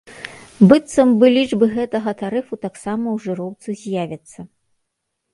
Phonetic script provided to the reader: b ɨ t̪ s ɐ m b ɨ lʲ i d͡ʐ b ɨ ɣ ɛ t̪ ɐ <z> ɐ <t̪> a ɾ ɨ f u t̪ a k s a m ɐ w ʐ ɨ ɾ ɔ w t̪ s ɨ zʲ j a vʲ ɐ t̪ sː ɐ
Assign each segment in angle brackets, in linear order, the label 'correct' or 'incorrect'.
incorrect, correct

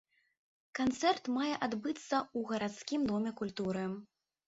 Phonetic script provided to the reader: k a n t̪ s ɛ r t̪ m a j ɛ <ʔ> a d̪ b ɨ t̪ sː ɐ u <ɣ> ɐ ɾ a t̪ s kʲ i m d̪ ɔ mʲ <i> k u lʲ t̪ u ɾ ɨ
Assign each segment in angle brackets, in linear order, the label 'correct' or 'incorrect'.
correct, correct, incorrect

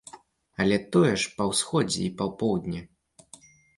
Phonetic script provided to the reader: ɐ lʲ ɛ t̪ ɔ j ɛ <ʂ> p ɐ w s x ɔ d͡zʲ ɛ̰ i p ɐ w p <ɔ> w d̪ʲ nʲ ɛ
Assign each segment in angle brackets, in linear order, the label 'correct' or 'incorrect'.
correct, correct

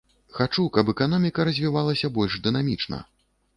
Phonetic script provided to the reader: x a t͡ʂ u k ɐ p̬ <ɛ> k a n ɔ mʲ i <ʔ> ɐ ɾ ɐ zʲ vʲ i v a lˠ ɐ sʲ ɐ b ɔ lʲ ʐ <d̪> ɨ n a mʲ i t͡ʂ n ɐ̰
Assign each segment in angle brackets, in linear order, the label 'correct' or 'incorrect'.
correct, incorrect, correct

